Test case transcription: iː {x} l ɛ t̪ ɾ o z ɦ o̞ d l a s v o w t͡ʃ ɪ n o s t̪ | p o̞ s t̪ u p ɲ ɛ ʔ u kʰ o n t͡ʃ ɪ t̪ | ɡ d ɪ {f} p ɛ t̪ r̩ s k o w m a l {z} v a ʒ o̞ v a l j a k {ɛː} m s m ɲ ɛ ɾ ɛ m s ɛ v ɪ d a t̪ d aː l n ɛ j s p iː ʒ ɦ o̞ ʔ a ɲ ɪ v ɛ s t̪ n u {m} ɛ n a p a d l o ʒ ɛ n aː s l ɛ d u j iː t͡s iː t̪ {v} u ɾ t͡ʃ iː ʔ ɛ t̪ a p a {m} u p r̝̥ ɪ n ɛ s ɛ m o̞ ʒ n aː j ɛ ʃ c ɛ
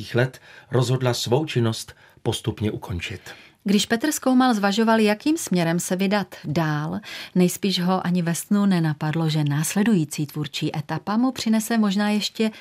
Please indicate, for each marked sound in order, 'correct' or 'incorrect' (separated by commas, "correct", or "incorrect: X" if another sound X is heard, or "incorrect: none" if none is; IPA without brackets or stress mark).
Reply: correct, incorrect: ʃ, correct, incorrect: iː, incorrect: n, correct, correct